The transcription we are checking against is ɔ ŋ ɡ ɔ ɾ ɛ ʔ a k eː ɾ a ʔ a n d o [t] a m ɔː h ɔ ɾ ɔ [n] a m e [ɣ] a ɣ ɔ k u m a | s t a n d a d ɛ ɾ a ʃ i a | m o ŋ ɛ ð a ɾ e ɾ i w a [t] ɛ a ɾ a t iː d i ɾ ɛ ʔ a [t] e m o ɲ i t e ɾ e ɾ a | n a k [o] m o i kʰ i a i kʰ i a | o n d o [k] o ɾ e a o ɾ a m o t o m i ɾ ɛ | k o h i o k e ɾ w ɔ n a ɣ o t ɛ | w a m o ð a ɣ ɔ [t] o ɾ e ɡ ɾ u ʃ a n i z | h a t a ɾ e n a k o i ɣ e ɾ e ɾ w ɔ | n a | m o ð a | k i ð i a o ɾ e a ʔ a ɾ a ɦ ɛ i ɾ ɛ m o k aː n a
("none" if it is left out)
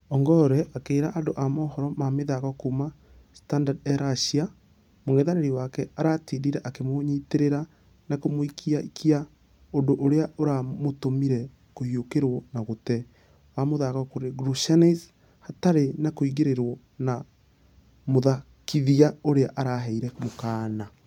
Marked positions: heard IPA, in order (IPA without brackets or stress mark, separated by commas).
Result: ʔ, m, ð, k, k, o, ʔ, k